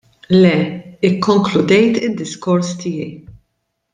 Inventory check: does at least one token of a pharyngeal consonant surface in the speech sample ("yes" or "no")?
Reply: no